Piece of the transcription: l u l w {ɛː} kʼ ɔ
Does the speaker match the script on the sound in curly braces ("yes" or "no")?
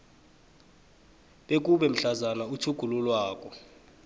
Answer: no